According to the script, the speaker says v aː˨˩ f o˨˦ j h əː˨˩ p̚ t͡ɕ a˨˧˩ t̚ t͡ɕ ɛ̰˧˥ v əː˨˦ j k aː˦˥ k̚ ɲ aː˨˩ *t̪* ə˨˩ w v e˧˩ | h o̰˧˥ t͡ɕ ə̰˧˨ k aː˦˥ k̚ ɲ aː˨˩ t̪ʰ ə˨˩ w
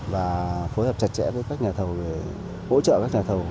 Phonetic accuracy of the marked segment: incorrect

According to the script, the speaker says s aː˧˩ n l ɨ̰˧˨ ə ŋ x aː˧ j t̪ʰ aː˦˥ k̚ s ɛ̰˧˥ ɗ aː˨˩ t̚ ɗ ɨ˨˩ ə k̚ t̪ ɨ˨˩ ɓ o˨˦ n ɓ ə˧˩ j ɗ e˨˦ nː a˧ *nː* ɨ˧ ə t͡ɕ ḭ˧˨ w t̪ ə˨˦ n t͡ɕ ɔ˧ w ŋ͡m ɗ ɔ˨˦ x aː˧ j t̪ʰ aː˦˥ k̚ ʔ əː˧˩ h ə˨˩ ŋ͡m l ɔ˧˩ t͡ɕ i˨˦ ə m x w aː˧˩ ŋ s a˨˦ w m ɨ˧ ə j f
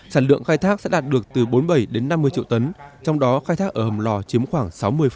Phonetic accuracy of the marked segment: incorrect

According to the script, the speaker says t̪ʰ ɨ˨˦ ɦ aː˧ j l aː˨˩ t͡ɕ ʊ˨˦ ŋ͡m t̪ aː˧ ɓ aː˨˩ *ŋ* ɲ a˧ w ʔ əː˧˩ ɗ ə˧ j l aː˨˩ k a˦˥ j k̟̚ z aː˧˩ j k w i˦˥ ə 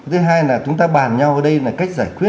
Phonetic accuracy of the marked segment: incorrect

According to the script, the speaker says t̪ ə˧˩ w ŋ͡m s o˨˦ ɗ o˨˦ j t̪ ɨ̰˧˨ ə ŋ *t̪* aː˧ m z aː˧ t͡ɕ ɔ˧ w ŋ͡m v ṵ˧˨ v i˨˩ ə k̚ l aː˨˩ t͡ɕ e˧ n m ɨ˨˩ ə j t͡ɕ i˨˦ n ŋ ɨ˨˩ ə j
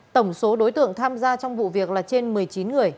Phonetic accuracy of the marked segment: incorrect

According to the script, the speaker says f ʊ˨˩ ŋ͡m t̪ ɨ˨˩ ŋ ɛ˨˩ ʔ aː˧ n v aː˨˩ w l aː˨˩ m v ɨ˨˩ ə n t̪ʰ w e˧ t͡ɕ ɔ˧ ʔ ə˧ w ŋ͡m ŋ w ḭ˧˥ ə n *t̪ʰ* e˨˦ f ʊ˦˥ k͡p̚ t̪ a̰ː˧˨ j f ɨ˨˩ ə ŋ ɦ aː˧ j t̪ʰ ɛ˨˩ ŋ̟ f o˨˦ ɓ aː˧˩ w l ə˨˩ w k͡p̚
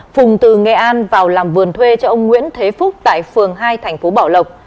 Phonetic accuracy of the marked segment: correct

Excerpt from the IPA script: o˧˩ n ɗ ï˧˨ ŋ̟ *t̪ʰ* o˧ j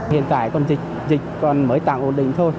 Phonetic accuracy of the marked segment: correct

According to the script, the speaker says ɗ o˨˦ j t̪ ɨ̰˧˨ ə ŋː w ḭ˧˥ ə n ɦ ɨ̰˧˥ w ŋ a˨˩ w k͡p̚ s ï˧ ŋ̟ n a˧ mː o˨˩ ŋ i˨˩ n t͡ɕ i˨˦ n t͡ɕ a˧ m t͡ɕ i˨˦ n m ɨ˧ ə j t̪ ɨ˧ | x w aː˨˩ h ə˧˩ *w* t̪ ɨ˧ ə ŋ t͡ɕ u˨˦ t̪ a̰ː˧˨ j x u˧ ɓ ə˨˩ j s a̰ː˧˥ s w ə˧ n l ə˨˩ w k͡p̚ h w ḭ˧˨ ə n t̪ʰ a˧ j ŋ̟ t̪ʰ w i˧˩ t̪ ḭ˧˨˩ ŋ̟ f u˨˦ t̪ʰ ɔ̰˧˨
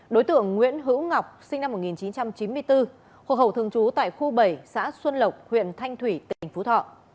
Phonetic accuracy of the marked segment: correct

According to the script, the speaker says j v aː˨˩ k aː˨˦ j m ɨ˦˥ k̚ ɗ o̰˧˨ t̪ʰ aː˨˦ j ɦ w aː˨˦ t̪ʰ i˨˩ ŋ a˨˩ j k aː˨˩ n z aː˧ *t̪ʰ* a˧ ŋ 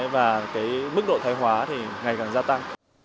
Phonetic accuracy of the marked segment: incorrect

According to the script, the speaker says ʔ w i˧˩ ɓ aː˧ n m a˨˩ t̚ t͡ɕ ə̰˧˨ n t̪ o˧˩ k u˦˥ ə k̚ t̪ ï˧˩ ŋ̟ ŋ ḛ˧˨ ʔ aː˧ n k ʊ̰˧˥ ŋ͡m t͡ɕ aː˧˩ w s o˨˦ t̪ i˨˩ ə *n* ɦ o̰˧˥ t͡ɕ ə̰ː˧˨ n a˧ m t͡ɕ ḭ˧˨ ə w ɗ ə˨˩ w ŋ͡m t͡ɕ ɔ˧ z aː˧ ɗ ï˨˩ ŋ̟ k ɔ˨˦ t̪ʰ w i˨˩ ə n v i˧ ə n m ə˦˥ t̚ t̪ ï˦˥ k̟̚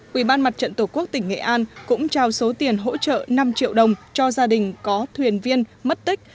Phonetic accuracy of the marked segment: correct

